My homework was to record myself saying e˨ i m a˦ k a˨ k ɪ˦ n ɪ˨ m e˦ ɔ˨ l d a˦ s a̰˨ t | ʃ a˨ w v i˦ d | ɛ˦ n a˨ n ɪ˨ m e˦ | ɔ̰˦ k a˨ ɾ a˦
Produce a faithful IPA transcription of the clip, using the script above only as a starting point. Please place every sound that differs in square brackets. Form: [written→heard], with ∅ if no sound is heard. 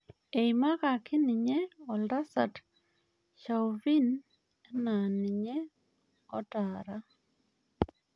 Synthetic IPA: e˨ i m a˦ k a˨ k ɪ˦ n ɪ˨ [m→ɲ] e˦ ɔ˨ l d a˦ s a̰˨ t | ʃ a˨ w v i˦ [d→n] | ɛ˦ n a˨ n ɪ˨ [m→ɲ] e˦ | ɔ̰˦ [k→t] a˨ ɾ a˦